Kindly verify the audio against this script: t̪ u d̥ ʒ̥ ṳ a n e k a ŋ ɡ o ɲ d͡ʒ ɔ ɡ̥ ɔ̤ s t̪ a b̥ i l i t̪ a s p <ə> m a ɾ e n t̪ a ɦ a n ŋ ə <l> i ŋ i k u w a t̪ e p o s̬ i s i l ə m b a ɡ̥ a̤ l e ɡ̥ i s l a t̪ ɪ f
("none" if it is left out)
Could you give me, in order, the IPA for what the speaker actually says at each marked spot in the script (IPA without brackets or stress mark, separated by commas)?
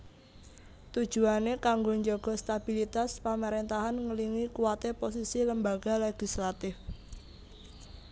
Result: a, l